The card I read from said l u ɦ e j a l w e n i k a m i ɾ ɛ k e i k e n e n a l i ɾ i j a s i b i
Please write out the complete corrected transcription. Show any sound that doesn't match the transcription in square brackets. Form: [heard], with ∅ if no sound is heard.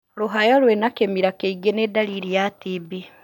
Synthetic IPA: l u ɦ [a] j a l w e n [a] k [e] m i ɾ [a] k e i [ɡ] e n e [d] a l i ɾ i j a [t] i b i